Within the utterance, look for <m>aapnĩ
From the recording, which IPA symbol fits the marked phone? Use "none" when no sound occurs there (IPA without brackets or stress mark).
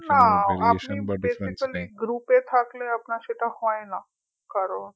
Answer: n